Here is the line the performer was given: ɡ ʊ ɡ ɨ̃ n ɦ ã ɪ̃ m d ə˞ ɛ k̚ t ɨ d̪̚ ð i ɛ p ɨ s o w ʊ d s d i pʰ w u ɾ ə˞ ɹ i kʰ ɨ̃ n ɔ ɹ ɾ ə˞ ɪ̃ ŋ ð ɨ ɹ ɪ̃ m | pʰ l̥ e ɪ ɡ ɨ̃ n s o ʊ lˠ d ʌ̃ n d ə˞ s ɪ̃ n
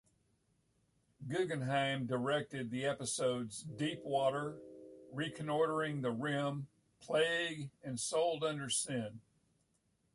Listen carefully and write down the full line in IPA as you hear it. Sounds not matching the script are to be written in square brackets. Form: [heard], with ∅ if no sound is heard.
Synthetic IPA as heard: ɡ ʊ ɡ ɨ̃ n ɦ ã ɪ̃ m d ə˞ ɛ k̚ t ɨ d̪̚ ð i ɛ p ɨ s o [∅] ʊ d [z] d i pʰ w [ɔ] ɾ ə˞ ɹ i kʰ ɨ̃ n ɔ ɹ ɾ ə˞ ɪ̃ ŋ ð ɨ ɹ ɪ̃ m | pʰ l̥ e ɪ ɡ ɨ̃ n s o ʊ lˠ d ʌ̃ n d ə˞ s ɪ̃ n